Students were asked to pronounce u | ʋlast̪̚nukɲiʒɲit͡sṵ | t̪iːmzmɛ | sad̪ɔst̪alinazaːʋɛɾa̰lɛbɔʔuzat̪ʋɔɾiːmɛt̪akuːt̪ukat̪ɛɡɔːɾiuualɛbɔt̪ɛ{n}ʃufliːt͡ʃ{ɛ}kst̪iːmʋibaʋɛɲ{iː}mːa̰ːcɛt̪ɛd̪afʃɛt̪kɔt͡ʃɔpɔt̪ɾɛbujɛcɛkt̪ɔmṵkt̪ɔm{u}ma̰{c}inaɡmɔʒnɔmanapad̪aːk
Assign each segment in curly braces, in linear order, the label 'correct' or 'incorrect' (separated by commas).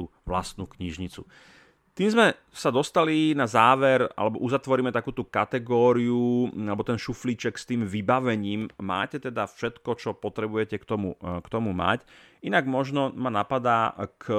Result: correct, correct, correct, correct, correct